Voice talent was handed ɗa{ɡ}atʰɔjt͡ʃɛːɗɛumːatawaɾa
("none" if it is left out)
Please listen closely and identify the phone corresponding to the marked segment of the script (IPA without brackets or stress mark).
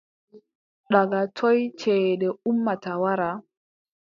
ɡ